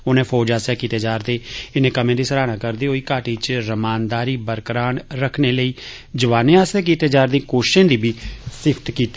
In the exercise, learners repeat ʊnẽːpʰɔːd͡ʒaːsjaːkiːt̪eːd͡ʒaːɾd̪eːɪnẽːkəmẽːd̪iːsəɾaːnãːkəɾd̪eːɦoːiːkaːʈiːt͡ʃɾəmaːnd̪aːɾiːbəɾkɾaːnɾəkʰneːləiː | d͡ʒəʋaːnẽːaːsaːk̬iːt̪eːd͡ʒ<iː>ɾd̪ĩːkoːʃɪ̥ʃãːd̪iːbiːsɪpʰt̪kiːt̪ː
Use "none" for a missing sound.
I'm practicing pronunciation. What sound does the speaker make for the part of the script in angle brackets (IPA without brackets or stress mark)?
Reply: aː